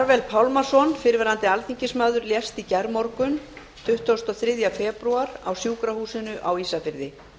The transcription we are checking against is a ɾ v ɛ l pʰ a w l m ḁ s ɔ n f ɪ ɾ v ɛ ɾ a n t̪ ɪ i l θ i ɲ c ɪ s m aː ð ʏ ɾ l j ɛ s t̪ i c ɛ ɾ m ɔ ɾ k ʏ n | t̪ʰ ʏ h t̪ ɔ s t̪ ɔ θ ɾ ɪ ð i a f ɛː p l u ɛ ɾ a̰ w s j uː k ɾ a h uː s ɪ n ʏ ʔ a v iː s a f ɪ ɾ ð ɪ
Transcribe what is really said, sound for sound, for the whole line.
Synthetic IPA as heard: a ɾ v ɛ l pʰ a w l m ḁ s ɔ n f ɪ ɾ v ɛ ɾ a n t̪ ɪ a l θ i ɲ c ɪ s m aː ð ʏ ɾ l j ɛ s t̪ i c ɛ ɾ m ɔ ɾ k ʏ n | t̪ʰ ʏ h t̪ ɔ s t̪ ɔ θ ɾ ɪ ð j a f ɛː p ɾ u a ɾ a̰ w s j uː k ɾ a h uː s ɪ n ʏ ʔ a w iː s a f ɪ ɾ ð ɪ